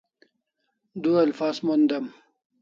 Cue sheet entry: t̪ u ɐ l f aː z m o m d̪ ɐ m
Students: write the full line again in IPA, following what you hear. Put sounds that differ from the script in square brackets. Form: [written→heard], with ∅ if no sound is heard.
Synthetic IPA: [t̪→d̪] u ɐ l f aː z m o [m→n] d̪ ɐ m

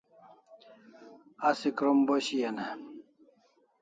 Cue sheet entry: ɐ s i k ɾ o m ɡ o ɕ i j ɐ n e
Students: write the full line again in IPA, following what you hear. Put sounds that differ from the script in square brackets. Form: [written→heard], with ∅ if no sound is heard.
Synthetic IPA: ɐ s i k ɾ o m [ɡ→b] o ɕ i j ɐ n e

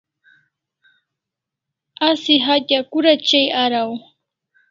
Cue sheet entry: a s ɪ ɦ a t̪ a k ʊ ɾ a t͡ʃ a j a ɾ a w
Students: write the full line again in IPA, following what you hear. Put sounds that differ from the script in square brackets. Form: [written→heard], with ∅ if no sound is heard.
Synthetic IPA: a s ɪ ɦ a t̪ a k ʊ ɾ a t͡ʃ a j a ɾ a w

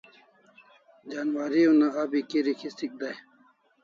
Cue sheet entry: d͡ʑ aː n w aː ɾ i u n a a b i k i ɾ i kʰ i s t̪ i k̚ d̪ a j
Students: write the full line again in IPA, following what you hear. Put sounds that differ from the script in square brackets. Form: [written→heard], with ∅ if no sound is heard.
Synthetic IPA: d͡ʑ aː n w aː ɾ i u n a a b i k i ɾ i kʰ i s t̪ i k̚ d̪ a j

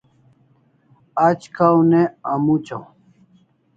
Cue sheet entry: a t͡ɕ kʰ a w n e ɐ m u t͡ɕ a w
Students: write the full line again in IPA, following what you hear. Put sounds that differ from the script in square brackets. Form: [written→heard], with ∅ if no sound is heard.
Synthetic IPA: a t͡ɕ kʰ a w n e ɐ m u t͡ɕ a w

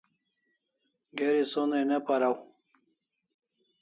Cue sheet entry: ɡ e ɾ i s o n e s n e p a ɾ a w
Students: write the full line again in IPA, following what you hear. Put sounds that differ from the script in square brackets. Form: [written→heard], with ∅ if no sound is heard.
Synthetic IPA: ɡ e ɾ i s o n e [s→∅] n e p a ɾ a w

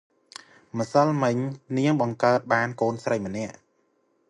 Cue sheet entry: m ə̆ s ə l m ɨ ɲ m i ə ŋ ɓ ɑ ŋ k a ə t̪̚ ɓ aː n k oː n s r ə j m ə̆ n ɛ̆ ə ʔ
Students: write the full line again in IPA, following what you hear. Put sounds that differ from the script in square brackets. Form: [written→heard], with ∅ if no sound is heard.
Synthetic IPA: m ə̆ s ə l m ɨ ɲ [m→n] i ə ŋ ɓ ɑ ŋ k a ə t̪̚ ɓ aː n k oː n s r ə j m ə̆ n ɛ̆ ə ʔ

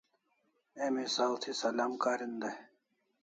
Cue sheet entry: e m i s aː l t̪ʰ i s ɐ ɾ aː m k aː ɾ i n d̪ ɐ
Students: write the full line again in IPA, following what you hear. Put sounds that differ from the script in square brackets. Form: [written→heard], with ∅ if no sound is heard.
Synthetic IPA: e m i s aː l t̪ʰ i s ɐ [ɾ→l] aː m k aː ɾ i n d̪ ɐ

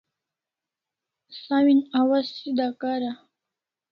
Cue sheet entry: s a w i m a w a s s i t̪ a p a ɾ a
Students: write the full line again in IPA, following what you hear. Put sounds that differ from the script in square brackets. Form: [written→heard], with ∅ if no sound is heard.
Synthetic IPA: s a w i [m→n] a w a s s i [t̪→d̪] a [p→k] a ɾ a

